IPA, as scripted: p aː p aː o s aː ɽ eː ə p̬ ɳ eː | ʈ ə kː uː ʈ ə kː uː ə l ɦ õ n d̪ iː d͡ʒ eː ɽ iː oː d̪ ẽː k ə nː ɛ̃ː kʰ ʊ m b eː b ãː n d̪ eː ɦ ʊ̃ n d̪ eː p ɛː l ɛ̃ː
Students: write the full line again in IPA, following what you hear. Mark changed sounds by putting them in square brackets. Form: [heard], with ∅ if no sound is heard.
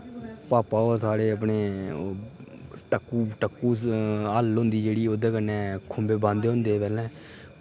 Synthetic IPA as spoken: p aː p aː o s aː ɽ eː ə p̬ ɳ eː | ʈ ə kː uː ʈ ə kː uː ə l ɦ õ n d̪ iː d͡ʒ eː ɽ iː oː d̪ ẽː k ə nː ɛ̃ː kʰ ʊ m b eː b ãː n d̪ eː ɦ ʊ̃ n d̪ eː p ɛː l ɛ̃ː